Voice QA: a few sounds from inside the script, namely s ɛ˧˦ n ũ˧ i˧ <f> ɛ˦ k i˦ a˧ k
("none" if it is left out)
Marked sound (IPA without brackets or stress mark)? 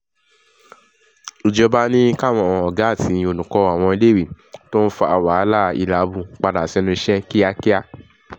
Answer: ʃ